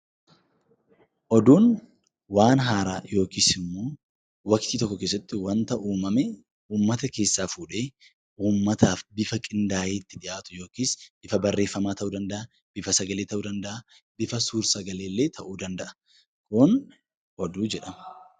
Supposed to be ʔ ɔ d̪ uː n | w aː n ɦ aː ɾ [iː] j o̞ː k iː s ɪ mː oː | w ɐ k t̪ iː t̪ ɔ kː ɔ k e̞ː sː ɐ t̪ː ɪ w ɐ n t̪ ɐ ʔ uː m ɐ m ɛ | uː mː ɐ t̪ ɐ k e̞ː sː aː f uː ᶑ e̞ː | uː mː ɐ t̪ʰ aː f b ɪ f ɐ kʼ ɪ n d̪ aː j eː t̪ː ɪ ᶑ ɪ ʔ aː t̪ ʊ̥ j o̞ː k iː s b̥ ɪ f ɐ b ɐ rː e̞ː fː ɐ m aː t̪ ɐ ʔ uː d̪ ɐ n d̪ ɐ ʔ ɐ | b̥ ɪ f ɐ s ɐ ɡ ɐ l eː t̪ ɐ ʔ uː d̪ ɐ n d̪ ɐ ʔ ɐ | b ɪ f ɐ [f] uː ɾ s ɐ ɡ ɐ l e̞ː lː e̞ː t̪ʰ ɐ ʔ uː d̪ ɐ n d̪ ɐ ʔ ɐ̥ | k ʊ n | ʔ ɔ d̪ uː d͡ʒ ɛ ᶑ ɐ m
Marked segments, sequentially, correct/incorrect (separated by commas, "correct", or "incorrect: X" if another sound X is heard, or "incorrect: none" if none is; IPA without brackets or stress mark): incorrect: aː, incorrect: s